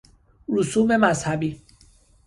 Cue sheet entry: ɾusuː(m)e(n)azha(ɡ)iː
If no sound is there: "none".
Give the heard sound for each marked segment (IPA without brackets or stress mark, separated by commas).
m, m, b